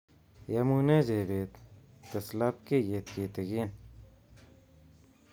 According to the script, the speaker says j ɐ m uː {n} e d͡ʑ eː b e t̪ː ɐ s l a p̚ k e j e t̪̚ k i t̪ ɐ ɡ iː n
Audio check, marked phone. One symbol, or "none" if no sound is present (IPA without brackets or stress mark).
n